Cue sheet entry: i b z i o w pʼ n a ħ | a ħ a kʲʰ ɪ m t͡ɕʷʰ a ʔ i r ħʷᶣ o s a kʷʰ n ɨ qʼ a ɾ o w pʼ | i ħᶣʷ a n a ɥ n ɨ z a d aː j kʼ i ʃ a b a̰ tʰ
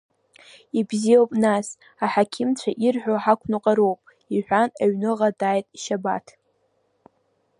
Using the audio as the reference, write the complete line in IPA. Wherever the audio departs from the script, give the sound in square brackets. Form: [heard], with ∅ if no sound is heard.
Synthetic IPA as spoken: i b z i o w pʼ n a [s] | a ħ a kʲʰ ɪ m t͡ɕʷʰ a ʔ i r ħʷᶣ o [ħ] a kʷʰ n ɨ qʼ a ɾ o w pʼ | i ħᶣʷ a n a ɥ n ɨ [ʁ] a d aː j [tʼ] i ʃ a b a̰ tʰ